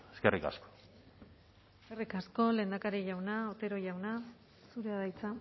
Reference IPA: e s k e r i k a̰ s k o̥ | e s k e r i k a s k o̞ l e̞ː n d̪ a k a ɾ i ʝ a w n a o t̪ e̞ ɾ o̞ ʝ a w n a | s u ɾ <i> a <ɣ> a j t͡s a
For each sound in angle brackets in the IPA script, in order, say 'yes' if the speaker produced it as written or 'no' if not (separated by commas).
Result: no, no